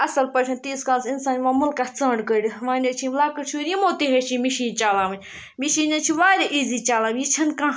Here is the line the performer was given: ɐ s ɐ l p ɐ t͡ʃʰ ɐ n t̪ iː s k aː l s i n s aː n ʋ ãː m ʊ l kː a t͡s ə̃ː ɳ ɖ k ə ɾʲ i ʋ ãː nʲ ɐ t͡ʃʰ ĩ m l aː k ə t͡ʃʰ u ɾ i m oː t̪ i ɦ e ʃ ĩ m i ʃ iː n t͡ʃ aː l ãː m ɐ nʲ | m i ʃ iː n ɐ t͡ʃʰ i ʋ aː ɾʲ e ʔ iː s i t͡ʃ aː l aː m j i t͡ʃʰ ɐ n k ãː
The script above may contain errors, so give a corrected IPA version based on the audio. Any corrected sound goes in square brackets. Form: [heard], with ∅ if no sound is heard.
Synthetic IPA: ɐ s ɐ l p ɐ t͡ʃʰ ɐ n t̪ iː s k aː l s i n s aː n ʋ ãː m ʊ l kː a t͡s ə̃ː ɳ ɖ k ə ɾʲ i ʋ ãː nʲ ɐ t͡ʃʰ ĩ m l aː k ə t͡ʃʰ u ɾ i m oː t̪ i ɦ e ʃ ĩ m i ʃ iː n t͡ʃ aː l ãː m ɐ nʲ | m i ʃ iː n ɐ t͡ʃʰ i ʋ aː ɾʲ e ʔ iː [z] i t͡ʃ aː l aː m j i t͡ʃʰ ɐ n k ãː